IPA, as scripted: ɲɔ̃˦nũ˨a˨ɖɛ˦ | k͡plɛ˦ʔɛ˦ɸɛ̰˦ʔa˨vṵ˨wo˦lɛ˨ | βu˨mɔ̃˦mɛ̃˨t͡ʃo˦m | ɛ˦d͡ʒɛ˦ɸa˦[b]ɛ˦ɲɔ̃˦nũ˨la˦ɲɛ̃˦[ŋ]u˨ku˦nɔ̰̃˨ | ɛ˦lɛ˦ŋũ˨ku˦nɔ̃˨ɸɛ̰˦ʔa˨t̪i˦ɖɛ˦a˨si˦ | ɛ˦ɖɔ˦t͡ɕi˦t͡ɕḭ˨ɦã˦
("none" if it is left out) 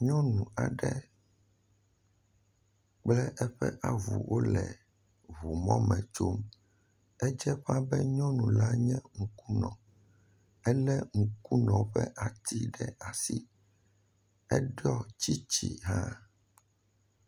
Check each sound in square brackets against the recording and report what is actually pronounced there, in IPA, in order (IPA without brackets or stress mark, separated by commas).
b, ŋ